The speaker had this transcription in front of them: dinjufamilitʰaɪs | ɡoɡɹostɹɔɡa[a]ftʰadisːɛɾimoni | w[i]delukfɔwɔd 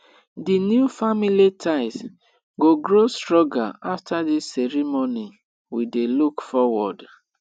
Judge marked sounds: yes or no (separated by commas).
yes, yes